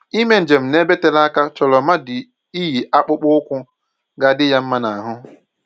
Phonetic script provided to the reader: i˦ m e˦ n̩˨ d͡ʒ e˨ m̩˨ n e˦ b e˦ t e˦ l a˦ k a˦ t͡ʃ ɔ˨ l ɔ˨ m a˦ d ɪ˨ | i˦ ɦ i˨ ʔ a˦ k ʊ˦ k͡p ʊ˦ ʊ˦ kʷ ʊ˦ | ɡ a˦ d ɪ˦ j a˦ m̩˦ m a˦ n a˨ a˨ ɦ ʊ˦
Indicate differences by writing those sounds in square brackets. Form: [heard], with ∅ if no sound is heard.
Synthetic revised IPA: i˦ m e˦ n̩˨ d͡ʒ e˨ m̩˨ n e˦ b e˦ t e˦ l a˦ k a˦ t͡ʃ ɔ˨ l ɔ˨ m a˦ d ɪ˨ | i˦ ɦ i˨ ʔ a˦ [k͡p] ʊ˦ k͡p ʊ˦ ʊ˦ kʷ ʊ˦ | ɡ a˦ d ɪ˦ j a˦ m̩˦ m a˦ n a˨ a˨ ɦ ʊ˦